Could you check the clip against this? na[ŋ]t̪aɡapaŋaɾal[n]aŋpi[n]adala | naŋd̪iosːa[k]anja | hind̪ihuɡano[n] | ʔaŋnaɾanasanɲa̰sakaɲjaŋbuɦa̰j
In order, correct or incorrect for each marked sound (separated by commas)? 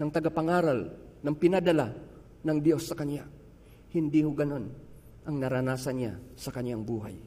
correct, correct, correct, correct, correct